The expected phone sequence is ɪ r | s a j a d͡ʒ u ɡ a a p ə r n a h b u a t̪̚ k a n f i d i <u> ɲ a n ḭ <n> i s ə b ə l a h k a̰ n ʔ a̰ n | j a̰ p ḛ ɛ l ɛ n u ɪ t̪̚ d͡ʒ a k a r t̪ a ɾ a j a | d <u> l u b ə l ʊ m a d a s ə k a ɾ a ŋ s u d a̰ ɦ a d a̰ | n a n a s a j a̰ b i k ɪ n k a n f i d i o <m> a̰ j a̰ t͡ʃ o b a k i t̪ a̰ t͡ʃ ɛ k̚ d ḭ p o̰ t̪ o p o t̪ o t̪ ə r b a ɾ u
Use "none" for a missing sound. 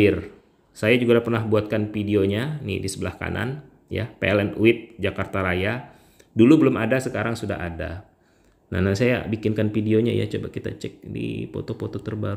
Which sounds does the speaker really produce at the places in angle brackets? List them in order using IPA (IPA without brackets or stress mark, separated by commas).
o, d, u, ɲ